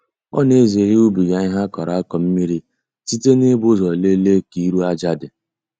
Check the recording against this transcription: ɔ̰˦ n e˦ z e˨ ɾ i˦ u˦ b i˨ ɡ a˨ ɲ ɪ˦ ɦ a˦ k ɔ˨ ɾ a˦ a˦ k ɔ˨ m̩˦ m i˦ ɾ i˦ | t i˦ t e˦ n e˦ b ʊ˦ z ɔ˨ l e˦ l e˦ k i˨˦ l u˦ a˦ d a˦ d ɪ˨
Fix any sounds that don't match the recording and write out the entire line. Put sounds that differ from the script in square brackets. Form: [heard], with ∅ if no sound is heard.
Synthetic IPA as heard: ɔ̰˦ n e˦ z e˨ ɾ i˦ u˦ b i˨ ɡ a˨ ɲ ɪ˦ ɦ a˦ k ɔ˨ ɾ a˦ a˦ k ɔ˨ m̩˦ m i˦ ɾ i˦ | t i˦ t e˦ n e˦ b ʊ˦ z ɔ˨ l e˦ l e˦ k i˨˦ [ɾ] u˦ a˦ [d͡ʒ] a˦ d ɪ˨